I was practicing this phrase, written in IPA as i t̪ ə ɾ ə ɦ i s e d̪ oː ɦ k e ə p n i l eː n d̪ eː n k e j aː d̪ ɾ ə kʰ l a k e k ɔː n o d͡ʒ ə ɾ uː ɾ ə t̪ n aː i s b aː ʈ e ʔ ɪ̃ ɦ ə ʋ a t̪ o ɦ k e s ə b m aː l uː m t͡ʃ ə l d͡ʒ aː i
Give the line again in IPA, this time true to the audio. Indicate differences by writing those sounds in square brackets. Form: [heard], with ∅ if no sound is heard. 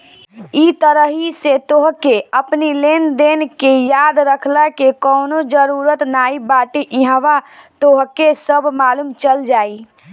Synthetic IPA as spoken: i t̪ ə ɾ ə ɦ i s e [t̪] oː ɦ k e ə p n i l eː n d̪ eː n k e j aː d̪ ɾ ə kʰ l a k e k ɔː n o d͡ʒ ə ɾ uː ɾ ə t̪ n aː i [∅] b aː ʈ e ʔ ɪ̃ ɦ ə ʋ a t̪ o ɦ k e s ə b m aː l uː m t͡ʃ ə l d͡ʒ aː i